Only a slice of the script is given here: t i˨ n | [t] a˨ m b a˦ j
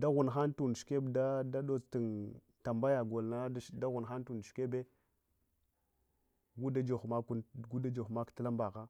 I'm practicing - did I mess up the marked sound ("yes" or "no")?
no